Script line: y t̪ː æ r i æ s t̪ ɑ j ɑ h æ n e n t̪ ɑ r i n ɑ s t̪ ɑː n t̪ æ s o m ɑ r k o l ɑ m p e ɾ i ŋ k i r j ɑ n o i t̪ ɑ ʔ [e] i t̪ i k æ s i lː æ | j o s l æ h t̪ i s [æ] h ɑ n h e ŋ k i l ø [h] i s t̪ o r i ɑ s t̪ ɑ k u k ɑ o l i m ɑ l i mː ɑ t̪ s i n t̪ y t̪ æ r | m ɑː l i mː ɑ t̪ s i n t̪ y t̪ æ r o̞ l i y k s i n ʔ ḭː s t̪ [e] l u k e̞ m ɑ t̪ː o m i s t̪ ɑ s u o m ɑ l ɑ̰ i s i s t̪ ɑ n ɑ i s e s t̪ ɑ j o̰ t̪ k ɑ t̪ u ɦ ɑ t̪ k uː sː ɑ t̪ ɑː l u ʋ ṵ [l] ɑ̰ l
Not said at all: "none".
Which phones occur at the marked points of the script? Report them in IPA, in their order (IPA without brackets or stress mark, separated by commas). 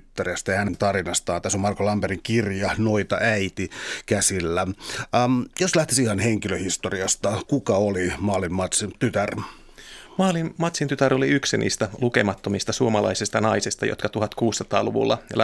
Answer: æ, i, h, æ, lː